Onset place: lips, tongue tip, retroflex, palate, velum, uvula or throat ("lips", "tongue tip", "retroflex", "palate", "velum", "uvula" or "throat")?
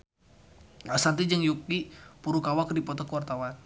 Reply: tongue tip